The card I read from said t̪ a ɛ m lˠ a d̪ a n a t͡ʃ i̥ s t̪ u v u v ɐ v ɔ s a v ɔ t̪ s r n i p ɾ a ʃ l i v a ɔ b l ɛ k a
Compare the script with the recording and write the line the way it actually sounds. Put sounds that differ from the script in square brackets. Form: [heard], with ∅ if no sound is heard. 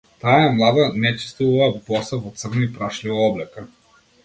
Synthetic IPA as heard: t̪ a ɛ m lˠ a d̪ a n [ɛ] t͡ʃ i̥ s t̪ u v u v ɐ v ɔ s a v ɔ t̪ s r n i p ɾ a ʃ l i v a ɔ b l ɛ k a